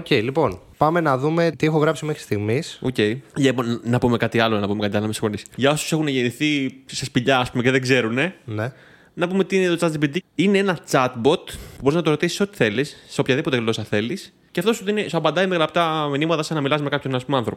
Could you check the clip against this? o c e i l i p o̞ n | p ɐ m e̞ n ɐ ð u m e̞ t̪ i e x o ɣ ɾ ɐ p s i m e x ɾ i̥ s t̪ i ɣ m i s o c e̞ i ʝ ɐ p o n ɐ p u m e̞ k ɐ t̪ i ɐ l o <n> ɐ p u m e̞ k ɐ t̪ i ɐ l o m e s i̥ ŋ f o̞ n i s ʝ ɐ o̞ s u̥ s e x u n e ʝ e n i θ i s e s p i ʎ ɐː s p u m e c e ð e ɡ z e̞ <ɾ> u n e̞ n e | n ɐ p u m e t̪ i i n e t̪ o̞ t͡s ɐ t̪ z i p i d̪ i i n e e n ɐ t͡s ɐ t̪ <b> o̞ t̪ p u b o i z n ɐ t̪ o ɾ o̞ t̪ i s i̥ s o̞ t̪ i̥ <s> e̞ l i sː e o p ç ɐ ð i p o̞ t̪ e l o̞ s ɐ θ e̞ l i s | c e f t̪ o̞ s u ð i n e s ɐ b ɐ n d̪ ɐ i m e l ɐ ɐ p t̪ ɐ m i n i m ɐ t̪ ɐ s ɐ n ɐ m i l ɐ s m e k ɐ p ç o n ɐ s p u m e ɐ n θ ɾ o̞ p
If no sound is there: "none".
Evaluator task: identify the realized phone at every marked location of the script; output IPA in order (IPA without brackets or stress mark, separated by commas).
n, ɾ, b, θ